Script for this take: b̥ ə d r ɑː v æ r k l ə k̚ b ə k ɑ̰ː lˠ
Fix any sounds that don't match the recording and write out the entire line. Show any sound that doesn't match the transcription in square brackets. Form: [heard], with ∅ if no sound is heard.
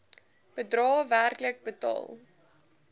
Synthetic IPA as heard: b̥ ə d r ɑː v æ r k l ə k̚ b ə [t] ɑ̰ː lˠ